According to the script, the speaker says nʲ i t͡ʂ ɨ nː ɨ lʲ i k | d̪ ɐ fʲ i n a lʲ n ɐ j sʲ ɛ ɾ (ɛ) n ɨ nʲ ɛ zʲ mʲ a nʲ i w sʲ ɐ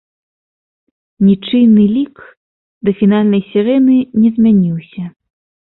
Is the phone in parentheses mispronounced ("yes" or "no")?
no